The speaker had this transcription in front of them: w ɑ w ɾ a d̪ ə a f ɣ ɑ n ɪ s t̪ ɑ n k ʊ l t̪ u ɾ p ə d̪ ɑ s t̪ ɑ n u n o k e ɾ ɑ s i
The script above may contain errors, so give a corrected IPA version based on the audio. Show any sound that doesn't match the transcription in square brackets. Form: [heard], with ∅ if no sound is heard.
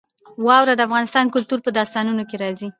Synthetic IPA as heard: w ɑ w ɾ a d̪ ə a f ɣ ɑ n ɪ s t̪ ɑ n k ʊ l t̪ u ɾ p ə d̪ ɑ s t̪ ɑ n u n o k e ɾ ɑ [z] i